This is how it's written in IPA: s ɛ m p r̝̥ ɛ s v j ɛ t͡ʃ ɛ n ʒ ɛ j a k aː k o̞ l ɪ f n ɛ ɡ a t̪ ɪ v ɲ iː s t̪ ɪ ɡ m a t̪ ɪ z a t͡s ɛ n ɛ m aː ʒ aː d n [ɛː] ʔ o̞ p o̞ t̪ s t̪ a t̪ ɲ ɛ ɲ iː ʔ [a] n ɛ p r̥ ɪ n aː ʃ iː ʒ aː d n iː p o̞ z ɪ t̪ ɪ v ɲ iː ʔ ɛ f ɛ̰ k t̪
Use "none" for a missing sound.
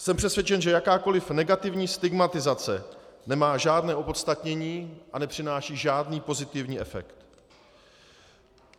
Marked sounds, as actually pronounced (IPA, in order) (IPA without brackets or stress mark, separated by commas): ɛː, a